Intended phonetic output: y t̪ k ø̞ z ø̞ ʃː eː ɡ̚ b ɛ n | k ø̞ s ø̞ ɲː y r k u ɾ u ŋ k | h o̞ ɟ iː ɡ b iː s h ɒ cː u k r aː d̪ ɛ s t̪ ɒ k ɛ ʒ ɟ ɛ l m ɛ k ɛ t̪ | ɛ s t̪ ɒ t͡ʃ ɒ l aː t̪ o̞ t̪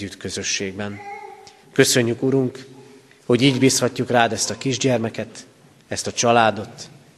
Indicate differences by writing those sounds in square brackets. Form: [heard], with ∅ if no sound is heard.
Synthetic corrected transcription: y t̪ k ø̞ z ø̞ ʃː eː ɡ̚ b ɛ n | k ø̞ s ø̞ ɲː y [∅] k u ɾ u ŋ k | h o̞ ɟ iː [ɟ] b iː s h ɒ cː u k r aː d̪ ɛ s t̪ ɒ k [i] ʒ ɟ ɛ [r] m ɛ k ɛ t̪ | ɛ s t̪ ɒ t͡ʃ ɒ l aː [d̪] o̞ t̪